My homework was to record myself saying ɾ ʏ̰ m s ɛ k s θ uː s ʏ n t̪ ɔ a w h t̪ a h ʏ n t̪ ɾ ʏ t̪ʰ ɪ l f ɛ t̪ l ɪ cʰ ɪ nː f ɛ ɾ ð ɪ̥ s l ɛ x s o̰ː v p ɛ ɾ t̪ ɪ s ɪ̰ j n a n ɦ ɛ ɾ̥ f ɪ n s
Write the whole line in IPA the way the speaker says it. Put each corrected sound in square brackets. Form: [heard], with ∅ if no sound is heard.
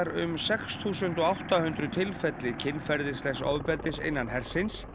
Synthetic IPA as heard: ɾ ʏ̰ m s ɛ k s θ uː s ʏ n t̪ ɔ a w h t̪ a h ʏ n t̪ ɾ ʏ t̪ʰ ɪ l f ɛ t̪ l ɪ cʰ ɪ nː f ɛ ɾ ð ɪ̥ s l ɛ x s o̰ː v p ɛ ɾ t̪ ɪ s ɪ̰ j [nː] a n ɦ ɛ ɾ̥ [s] ɪ n s